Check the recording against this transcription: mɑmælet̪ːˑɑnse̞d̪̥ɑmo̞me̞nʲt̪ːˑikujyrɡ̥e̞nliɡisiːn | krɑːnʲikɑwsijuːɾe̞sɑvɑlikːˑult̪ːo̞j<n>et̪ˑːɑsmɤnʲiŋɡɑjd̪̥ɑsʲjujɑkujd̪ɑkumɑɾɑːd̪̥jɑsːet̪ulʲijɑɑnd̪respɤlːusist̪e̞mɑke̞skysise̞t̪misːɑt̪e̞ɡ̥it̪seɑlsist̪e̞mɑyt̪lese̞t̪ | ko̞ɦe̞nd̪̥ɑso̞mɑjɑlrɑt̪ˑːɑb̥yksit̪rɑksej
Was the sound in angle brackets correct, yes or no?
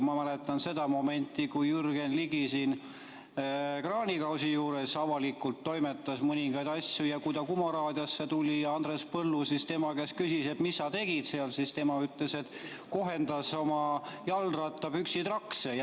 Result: no